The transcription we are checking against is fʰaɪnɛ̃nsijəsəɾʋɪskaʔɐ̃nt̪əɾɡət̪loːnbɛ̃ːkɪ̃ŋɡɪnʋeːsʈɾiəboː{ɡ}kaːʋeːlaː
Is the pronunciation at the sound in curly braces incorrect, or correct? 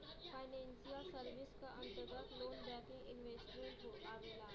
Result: incorrect